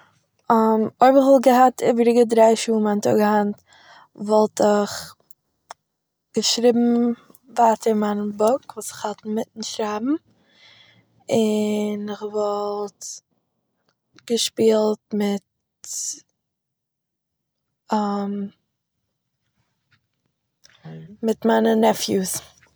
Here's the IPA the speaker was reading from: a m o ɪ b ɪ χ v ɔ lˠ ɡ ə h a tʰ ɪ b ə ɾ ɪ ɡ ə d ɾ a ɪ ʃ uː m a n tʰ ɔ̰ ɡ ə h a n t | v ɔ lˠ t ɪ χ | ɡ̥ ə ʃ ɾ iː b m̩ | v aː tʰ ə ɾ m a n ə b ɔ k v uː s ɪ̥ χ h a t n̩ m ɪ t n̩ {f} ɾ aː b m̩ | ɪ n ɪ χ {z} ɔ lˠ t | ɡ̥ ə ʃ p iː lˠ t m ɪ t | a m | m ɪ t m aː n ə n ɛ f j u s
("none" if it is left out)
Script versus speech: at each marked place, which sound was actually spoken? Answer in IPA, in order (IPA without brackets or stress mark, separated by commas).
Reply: ʃ, v